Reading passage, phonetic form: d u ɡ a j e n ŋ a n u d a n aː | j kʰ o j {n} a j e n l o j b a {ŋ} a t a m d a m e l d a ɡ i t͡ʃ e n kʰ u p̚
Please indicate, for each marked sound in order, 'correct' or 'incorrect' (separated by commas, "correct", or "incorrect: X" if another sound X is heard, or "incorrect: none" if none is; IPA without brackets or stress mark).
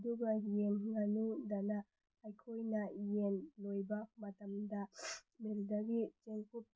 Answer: correct, incorrect: m